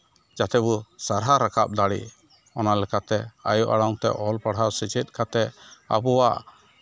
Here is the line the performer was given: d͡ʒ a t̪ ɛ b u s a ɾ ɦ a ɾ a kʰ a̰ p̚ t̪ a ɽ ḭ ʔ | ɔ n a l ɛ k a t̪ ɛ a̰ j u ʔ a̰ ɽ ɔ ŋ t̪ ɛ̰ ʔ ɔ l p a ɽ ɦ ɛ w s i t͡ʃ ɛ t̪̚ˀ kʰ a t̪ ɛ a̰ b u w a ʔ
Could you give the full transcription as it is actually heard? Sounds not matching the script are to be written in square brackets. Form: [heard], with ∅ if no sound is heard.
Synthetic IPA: d͡ʒ a t̪ ɛ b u s a ɾ ɦ a ɾ a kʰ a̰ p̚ [d̪] a ɽ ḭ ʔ | ɔ n a l ɛ k a t̪ ɛ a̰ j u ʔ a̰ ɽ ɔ ŋ t̪ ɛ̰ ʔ ɔ l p a ɽ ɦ [a] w s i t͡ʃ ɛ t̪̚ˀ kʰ a t̪ ɛ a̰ b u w a ʔ